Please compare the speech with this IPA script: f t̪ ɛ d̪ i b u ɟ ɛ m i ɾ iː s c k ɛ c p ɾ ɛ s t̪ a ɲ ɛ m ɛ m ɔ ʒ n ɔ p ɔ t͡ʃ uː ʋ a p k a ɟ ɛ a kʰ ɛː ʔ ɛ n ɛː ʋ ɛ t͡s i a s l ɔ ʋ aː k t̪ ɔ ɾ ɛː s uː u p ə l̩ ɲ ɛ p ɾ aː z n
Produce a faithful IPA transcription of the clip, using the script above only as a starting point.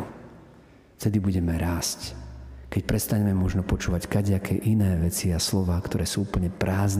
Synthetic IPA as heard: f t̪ ɛ d̪ i b u ɟ ɛ m ɛ ɾ aː s c k ɛ c p ɾ ɛ s t̪ a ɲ ɛ m ɛ m ɔ ʒ n ɔ p ɔ t͡ʃ uː ʋ a c k a ɟ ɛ a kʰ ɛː ʔ i n ɛː ʋ ɛ t͡s i a s l ɔ ʋ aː k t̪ ɔ ɾ ɛː s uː u p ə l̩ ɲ ɛ p ɾ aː z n